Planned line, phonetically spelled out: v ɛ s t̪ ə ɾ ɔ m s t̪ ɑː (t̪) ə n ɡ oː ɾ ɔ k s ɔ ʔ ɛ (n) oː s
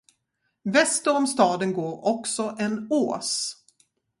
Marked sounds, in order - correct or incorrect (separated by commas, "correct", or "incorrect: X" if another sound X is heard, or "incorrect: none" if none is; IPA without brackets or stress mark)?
incorrect: d̪, correct